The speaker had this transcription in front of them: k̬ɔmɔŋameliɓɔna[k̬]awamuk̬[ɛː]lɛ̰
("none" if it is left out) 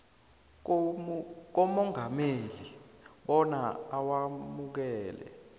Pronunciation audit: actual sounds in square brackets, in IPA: none, ɛː

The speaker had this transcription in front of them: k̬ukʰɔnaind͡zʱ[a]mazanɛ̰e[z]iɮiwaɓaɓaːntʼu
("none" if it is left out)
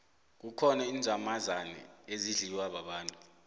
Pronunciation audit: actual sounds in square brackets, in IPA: a, z

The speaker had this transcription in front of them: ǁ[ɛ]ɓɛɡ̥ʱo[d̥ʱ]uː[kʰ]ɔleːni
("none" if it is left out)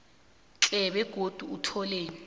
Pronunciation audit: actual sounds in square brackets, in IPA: ɛ, d̥ʱ, tʰ

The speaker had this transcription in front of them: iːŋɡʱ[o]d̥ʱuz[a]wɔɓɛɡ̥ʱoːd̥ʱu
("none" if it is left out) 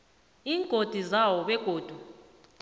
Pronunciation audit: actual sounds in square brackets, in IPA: o, a

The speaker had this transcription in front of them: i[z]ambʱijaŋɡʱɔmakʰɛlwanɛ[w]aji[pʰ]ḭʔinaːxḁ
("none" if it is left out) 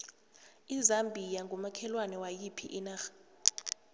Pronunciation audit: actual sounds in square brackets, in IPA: z, w, pʰ

